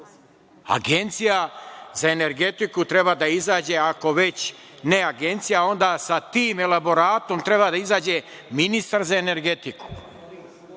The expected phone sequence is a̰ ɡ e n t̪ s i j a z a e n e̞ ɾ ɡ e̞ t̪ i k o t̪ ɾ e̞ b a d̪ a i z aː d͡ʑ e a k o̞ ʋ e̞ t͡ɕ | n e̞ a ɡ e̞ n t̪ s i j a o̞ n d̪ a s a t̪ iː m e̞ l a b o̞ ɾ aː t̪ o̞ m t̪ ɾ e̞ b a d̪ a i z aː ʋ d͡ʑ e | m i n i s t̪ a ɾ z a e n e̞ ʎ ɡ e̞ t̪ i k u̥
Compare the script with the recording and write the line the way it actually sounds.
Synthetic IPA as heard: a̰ ɡ e n t̪ s i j a z a e n e̞ ɾ ɡ e̞ t̪ i k u t̪ ɾ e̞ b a d̪ a i z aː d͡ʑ e a k o̞ ʋ e̞ t͡ɕ | n e̞ a ɡ e̞ n t̪ s i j a o̞ n d̪ a s a t̪ iː m e̞ l a b o̞ ɾ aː t̪ o̞ m t̪ ɾ e̞ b a d̪ a i z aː d͡ʑ e | m i n i s t̪ a ɾ z a e n e̞ ɾ ɡ e̞ t̪ i k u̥

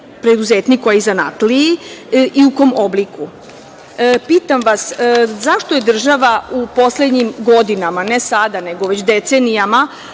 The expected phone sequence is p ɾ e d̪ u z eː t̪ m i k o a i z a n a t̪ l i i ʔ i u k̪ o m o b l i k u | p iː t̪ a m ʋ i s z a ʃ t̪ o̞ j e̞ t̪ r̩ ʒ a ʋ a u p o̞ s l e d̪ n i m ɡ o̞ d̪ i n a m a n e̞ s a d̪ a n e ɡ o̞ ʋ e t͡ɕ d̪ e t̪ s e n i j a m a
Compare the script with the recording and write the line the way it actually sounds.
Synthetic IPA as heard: p ɾ e d̪ u z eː t̪ n i k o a i z a n a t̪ l i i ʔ i u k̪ o m o b l i k u | p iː t̪ a m ʋ a s z a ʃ t̪ o̞ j e̞ d̪ r̩ ʒ a ʋ a u p o̞ s l e d̪ ɲ i m ɡ o̞ d̪ i n a m a n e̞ s a d̪ a n e ɡ o̞ ʋ e t͡ɕ d̪ e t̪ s e n i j a m a

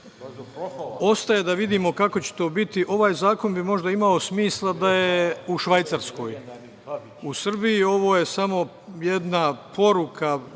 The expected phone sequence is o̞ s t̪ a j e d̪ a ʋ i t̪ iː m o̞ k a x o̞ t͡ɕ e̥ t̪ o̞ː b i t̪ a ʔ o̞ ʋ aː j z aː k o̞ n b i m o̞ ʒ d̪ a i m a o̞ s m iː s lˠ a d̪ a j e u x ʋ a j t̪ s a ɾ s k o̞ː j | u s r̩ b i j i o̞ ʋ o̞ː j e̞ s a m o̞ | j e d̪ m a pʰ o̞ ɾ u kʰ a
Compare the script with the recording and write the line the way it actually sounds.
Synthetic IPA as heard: o̞ s t̪ a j e d̪ a ʋ i d̪ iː m o̞ k a k o̞ t͡ɕ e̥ t̪ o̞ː b i t̪ i ʔ o̞ ʋ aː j z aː k o̞ n b i m o̞ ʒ d̪ a i m a o̞ s m iː s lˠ a d̪ a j e u ʃ ʋ a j t̪ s a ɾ s k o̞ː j | u s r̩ b i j i o̞ ʋ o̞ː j e̞ s a m o̞ | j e d̪ n a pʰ o̞ ɾ u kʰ a

